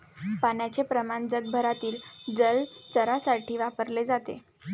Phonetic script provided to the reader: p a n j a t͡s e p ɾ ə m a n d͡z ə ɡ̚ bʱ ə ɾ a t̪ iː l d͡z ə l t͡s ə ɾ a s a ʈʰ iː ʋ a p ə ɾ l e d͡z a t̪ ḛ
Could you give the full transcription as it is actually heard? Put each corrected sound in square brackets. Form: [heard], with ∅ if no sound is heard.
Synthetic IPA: p a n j a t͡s e p ɾ ə m a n d͡z ə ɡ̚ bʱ ə ɾ a t̪ iː l d͡z ə l t͡s ə ɾ a s a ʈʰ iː ʋ a p ə ɾ l e d͡z a t̪ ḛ